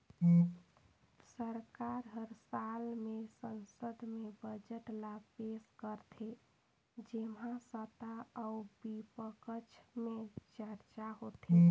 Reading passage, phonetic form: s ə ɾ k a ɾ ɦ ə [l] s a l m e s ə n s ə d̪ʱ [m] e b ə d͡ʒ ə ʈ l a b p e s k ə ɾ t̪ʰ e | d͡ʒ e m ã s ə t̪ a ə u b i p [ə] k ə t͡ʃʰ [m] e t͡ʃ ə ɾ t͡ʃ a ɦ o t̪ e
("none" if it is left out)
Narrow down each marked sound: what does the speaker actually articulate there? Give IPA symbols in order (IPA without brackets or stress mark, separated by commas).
ɾ, m, ə, m